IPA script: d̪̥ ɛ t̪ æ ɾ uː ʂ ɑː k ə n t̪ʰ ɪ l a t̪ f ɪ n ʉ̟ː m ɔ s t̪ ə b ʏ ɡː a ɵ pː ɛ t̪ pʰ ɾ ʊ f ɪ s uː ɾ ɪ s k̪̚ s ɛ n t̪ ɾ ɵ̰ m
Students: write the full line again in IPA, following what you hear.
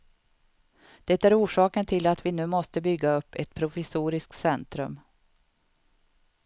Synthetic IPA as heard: d̪̥ ɛ t̪ æ ɾ uː ʂ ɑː k ə n t̪ʰ ɪ l a t̪ v ɪ n ʉ̟ː m ɔ s t̪ ə b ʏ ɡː a ɵ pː ɛ t̪ pʰ ɾ ʊ f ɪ s uː ɾ ɪ s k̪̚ s ɛ n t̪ ɾ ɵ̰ m